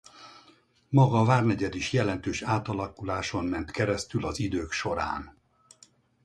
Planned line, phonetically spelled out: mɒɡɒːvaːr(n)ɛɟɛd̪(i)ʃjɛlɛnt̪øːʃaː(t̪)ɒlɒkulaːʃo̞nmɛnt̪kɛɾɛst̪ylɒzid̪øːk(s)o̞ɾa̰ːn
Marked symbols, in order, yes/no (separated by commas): yes, yes, yes, no